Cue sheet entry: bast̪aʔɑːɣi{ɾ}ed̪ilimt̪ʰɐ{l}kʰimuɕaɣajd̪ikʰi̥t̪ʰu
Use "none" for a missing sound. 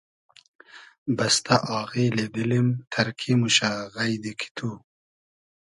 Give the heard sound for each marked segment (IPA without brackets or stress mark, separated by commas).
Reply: l, ɾ